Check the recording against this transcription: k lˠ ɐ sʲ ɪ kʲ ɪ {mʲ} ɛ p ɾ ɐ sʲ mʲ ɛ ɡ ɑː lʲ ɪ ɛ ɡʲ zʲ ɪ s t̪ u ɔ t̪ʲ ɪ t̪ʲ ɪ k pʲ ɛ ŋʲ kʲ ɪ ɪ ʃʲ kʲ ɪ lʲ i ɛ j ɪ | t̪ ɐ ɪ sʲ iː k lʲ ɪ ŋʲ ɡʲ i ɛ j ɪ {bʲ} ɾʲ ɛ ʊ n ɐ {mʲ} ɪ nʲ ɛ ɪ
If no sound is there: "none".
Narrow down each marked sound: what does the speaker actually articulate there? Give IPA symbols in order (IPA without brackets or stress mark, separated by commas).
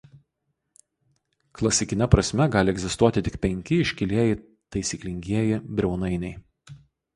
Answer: nʲ, bʲ, none